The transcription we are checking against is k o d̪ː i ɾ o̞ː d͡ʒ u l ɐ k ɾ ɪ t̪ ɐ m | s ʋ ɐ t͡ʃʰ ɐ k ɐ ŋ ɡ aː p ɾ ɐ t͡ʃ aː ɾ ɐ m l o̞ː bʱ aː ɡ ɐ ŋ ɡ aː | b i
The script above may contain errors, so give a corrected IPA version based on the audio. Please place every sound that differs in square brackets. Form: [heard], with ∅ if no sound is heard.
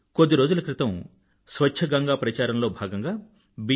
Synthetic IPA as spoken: k o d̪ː i ɾ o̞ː d͡ʒ u l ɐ k ɾ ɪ t̪ ɐ m | s ʋ ɐ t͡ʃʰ ɐ [ɡ] ɐ ŋ ɡ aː p ɾ ɐ t͡ʃ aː ɾ ɐ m l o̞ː bʱ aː ɡ ɐ ŋ ɡ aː | b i